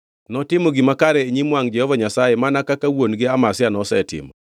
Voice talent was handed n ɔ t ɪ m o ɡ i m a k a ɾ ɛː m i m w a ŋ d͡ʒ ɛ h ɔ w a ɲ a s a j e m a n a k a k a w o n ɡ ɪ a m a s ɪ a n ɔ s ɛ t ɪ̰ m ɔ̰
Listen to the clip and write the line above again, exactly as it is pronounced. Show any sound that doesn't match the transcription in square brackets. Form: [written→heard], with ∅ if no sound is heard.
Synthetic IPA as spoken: n ɔ t ɪ m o ɡ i m a k a ɾ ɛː [m→ɲ] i m w a ŋ d͡ʒ ɛ h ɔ [w→v] a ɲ a s a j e m a n a k a k a w o n ɡ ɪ a m a s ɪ a n ɔ s ɛ t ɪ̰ m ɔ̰